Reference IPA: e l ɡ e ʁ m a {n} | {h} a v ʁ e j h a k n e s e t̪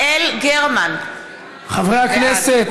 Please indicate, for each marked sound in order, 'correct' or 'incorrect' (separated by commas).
correct, incorrect